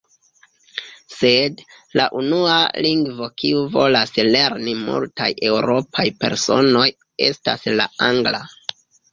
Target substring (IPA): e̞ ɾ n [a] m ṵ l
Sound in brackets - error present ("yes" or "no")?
yes